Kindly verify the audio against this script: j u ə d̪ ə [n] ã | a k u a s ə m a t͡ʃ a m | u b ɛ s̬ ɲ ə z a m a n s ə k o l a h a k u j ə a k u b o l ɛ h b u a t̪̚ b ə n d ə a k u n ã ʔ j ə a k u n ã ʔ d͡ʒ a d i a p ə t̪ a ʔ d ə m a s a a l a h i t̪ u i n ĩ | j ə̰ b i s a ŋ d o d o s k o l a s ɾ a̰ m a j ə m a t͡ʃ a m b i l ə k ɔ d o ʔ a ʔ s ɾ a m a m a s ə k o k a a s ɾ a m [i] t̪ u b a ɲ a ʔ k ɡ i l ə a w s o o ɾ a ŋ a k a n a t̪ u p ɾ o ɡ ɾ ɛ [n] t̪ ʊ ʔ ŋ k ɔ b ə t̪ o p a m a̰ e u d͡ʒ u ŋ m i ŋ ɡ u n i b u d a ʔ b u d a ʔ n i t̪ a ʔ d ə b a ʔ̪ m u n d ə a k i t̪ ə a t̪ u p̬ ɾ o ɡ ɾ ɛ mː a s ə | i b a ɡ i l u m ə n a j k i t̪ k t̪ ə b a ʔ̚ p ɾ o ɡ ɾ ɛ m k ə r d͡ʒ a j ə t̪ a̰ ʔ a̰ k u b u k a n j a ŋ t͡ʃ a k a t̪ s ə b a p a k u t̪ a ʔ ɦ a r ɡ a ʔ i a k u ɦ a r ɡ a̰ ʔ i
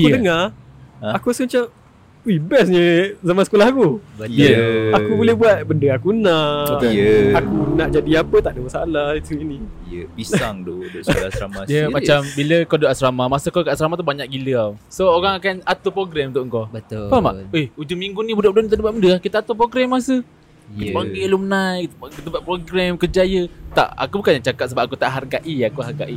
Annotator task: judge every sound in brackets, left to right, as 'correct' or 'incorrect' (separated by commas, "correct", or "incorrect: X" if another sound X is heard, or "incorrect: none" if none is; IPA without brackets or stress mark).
incorrect: ŋ, incorrect: a, incorrect: m